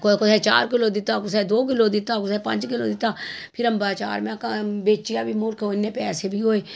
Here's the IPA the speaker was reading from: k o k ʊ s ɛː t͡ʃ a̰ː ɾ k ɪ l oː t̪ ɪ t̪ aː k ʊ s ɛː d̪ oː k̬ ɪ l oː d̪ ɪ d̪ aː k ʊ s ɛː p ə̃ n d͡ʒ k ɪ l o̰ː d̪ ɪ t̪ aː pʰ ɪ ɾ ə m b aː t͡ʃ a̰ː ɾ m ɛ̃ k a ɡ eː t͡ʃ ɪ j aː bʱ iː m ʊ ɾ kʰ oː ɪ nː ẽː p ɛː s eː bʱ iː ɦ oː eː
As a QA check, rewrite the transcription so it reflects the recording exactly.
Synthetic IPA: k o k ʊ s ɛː t͡ʃ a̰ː ɾ k ɪ l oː d̪ ɪ t̪ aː k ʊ s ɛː d̪ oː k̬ ɪ l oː d̪ ɪ t̪ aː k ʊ s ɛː p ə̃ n d͡ʒ k ɪ l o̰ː d̪ ɪ t̪ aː pʰ ɪ ɾ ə m b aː t͡ʃ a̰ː ɾ m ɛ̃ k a b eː t͡ʃ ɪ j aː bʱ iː m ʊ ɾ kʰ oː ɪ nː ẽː p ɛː s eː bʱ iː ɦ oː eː